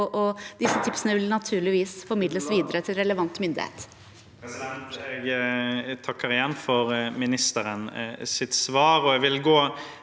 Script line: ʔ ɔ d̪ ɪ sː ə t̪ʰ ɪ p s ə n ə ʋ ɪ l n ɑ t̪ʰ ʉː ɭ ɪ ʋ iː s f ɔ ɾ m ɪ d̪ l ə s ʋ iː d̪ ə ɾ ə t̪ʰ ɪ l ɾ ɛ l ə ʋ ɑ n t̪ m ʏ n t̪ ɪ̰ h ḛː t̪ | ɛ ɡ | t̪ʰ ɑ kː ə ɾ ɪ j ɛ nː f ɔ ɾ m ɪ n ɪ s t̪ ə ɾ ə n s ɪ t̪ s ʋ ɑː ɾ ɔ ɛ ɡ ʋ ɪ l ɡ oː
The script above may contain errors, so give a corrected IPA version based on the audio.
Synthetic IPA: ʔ ɔ d̪ ɪ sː ə t̪ʰ ɪ p s ə n ə ʋ ɪ l n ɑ t̪ʰ ʉː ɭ ɪ ʋ iː s f ɔ ɾ m ɪ d̪ l ə s ʋ iː d̪ ə ɾ ə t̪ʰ ɪ l ɾ ɛ l ə ʋ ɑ n t̪ m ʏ n d̪ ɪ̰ h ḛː t̪ | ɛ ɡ | t̪ʰ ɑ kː ə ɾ ɪ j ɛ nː f ɔ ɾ m ɪ n ɪ s t̪ ə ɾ ə n s ɪ t̪ s ʋ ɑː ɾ ɔ ɛ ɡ ʋ ɪ l ɡ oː